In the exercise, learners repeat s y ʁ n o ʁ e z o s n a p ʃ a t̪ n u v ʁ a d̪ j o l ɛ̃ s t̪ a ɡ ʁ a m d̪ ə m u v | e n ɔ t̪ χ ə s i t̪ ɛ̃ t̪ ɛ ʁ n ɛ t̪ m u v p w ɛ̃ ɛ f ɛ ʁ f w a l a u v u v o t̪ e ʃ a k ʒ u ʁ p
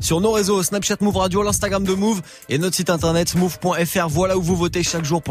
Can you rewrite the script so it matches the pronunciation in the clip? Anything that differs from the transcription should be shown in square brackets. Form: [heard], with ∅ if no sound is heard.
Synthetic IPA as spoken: s y ʁ n o ʁ e z o s n a p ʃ a t̪ [m] u v ʁ a d̪ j o l ɛ̃ s t̪ a ɡ ʁ a m d̪ ə m u v | e n ɔ t̪ χ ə s i t̪ ɛ̃ t̪ ɛ ʁ n ɛ t̪ m u v p w ɛ̃ ɛ f ɛ ʁ [v] w a l a u v u v o t̪ e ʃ a k ʒ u ʁ p